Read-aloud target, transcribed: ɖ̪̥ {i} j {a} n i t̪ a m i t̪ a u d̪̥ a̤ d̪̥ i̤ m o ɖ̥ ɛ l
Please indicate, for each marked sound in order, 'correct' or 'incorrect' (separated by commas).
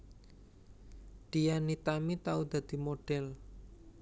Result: correct, correct